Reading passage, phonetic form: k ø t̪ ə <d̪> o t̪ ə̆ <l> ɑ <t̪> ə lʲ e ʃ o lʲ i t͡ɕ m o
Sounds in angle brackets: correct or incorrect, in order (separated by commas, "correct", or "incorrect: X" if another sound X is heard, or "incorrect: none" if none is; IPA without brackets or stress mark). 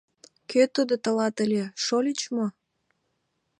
correct, correct, correct